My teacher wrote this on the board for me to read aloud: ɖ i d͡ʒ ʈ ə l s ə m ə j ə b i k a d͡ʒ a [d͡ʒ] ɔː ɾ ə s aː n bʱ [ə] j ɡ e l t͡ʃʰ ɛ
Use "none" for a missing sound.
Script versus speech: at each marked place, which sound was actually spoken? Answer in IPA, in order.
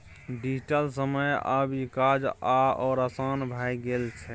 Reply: none, a

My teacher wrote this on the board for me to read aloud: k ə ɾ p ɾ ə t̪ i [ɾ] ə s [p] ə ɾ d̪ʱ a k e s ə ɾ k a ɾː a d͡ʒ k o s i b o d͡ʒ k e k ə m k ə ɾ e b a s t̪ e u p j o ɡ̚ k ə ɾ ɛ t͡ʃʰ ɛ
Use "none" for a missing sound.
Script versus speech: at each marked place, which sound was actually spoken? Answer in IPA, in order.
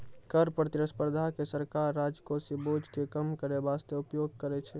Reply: ɾ, p

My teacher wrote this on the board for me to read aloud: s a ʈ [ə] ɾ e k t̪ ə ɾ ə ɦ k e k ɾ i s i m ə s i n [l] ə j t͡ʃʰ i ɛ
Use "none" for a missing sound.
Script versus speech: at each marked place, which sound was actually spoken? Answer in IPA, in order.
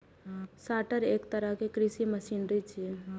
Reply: ə, ɾ

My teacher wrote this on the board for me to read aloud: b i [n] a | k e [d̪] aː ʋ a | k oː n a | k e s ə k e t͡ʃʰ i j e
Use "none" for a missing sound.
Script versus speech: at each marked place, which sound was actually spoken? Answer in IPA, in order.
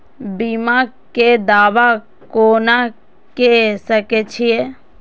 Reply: m, d̪

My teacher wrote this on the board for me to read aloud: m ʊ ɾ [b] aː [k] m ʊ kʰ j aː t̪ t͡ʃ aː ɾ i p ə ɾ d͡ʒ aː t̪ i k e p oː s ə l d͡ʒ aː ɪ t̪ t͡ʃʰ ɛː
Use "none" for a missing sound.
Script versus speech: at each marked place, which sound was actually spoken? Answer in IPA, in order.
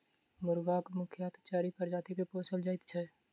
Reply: ɡ, k

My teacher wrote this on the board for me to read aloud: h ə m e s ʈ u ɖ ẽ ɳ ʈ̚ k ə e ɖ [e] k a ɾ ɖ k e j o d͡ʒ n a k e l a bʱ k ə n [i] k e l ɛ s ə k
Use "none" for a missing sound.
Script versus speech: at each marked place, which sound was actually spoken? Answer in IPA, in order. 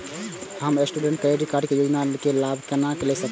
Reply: i, a

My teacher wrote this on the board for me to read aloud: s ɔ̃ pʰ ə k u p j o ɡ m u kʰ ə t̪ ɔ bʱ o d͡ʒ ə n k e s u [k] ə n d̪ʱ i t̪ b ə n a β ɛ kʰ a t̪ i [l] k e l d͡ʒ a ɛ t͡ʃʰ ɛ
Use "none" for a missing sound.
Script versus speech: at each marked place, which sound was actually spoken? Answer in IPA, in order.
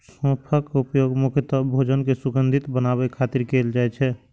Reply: ɡ, ɾ

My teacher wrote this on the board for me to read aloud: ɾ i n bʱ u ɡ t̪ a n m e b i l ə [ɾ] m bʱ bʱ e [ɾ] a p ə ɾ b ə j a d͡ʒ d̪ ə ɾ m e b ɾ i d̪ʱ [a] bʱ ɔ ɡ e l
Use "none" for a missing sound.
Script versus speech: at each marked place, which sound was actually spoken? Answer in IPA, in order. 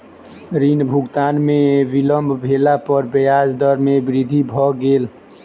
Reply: none, l, i

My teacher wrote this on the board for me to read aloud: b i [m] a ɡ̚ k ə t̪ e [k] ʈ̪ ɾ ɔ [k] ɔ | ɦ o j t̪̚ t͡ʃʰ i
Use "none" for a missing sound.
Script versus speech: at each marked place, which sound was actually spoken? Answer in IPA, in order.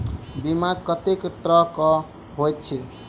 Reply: m, k, k

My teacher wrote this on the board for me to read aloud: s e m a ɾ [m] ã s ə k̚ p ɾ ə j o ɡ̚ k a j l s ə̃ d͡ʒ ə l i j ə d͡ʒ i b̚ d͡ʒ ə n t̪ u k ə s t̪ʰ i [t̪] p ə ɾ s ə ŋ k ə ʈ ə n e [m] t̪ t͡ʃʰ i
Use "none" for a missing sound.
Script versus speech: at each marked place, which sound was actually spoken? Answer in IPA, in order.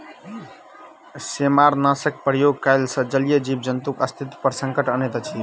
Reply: n, t̪, none

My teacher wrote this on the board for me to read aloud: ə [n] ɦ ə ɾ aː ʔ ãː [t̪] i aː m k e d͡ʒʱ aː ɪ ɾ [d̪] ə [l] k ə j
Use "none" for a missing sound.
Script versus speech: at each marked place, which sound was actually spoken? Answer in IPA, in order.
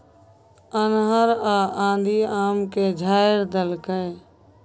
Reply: n, d̪, d̪, l

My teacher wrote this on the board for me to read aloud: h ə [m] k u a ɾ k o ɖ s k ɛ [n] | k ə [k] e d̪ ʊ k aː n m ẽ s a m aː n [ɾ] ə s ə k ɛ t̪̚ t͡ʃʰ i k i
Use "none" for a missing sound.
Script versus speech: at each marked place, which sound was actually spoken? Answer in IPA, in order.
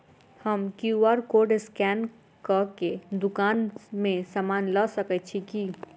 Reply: m, n, k, l

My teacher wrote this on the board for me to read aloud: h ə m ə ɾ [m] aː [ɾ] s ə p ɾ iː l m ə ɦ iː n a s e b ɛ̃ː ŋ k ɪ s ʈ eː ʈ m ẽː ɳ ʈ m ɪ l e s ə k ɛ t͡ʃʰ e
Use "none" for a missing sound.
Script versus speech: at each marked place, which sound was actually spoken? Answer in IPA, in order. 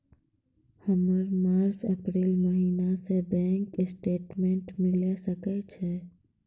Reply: m, ɾ

